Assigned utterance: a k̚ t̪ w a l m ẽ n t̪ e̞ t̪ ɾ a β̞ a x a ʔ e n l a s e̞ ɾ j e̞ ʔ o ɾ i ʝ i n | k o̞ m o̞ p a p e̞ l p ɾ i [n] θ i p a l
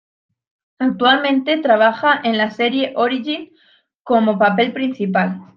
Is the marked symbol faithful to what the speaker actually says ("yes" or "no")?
yes